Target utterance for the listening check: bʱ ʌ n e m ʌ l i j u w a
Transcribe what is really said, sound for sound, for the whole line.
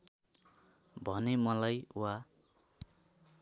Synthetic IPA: bʱ ʌ n e m ʌ l a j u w a